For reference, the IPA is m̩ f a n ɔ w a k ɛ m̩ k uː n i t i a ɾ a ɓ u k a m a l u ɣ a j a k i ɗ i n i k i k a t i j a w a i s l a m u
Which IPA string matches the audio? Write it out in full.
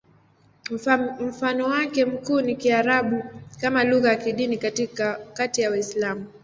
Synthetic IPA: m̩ f a n ɔ w a k ɛ m̩ k uː n i k i a ɾ a ɓ u k a m a l u ɣ a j a k i ɗ i n i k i k a t i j a w a i s l a m u